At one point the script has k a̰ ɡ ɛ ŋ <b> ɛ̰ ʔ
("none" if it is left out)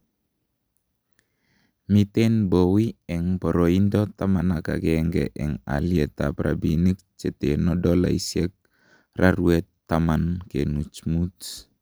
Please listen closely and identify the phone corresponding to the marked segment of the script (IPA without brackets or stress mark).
ɡ